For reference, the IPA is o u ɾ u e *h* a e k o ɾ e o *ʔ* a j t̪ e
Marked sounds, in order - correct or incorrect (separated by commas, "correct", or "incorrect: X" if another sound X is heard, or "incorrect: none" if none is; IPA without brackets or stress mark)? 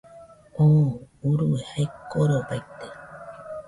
correct, incorrect: p